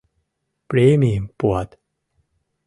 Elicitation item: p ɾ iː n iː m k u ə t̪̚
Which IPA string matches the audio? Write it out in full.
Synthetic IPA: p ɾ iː m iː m p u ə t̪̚

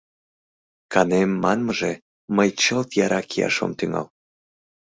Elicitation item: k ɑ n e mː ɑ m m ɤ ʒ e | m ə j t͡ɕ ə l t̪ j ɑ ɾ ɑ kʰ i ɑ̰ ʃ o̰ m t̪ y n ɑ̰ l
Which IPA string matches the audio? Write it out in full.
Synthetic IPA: k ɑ n e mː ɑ n m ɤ ʒ e | m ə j t͡ɕ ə l t̪ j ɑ ɾ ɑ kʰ i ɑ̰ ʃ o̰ m t̪ y ŋ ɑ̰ l

